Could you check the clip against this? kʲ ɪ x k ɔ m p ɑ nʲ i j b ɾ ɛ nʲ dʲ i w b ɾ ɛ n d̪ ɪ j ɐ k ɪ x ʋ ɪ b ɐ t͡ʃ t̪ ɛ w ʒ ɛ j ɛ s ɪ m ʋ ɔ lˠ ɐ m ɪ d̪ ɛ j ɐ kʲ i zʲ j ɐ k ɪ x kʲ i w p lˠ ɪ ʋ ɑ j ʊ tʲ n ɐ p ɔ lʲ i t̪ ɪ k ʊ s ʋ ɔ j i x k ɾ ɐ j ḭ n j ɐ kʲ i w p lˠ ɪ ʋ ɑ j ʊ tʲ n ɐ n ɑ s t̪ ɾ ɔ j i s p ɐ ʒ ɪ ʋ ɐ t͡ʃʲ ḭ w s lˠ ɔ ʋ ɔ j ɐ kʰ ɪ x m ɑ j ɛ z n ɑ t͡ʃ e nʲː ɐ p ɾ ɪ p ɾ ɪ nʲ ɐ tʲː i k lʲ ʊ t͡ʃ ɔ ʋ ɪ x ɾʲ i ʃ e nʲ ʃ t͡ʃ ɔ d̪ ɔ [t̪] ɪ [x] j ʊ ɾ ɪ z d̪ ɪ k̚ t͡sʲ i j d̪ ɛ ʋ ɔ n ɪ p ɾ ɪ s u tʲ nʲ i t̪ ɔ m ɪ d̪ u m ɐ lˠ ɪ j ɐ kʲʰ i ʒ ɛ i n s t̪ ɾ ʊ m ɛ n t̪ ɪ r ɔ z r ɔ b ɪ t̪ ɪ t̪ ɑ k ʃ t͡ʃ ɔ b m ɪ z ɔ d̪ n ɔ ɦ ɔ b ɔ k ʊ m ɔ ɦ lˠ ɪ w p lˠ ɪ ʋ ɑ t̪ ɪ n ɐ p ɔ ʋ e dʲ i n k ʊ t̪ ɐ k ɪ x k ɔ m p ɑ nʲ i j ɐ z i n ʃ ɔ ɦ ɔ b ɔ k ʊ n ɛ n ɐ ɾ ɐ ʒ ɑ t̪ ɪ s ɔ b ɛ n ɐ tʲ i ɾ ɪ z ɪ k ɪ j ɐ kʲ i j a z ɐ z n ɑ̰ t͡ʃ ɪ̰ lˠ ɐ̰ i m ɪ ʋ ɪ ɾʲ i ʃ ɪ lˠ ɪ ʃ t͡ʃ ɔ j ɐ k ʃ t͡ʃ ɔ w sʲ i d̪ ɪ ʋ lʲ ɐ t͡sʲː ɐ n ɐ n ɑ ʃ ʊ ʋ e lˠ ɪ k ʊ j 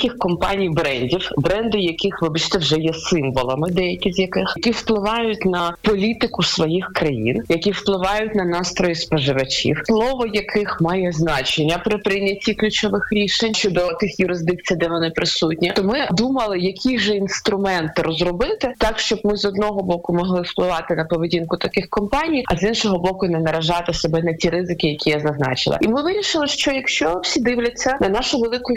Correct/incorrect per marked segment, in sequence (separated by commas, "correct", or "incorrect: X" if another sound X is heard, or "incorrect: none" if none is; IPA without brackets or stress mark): correct, correct